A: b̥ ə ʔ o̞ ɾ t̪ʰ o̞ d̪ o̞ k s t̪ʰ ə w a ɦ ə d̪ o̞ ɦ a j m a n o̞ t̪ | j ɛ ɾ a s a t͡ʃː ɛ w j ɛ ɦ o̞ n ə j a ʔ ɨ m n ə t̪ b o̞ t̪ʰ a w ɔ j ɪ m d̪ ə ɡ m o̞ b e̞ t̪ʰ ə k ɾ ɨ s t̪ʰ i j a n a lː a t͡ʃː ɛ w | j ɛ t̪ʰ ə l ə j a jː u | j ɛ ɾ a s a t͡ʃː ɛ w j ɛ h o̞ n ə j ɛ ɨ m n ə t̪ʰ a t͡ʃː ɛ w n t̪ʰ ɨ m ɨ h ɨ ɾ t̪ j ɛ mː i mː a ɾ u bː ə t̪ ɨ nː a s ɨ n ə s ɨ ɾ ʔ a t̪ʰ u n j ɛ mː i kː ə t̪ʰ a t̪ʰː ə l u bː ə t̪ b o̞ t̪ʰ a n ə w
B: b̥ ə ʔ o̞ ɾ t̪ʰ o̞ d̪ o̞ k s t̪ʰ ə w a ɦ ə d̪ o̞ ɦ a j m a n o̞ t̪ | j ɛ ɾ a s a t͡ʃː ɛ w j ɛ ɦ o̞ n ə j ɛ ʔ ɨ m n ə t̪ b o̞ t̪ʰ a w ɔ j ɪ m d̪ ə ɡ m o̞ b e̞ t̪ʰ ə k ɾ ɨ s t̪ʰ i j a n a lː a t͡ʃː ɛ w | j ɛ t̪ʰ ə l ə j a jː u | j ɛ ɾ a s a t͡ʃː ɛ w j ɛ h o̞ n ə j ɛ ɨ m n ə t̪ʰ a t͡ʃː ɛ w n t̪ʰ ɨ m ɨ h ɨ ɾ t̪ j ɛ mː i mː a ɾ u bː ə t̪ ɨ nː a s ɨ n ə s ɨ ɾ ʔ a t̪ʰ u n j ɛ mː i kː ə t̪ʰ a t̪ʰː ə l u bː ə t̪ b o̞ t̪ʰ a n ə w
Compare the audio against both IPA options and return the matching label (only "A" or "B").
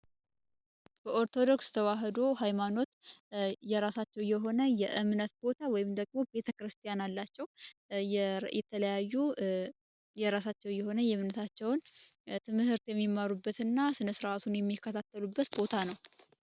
B